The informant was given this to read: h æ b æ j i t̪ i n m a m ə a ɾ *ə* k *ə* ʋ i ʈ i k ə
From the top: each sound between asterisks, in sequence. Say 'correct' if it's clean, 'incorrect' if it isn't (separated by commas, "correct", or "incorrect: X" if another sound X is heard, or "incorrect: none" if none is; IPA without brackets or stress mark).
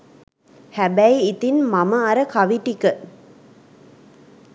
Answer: correct, incorrect: a